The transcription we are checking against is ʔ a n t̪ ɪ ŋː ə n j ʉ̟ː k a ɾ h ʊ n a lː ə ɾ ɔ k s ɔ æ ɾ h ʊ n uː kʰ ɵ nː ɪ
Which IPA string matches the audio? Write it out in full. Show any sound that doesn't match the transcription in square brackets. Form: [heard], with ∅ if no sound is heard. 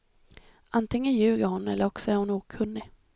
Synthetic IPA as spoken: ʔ a n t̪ ɪ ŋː ə n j ʉ̟ː [ɡ] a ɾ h ʊ n [ɛ] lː ə ɾ ɔ k s ɔ æ ɾ h ʊ n uː kʰ ɵ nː ɪ